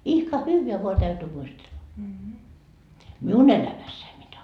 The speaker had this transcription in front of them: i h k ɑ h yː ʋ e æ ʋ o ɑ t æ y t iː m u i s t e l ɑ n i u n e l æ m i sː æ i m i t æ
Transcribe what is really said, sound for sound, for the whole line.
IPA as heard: i h k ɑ h yː ʋ e æ ʋ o ɑ t æ y t yː m u i s t e lː ɑ m i u n e l æ m æ sː æ i m i t æ